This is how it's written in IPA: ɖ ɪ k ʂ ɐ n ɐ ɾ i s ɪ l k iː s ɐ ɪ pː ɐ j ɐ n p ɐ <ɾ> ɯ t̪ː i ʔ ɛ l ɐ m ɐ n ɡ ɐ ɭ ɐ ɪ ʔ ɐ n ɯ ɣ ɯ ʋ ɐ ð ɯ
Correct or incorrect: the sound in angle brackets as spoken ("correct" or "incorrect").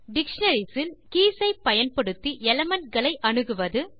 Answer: incorrect